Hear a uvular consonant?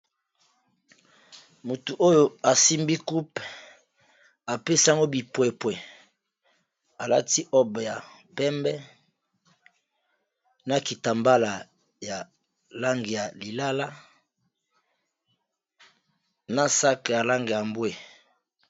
no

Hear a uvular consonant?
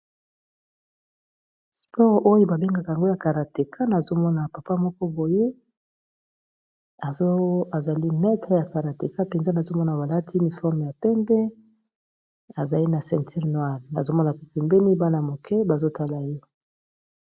yes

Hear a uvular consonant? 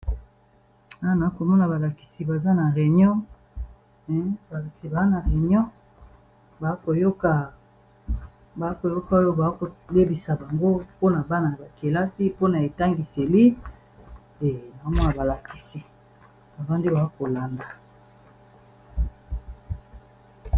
yes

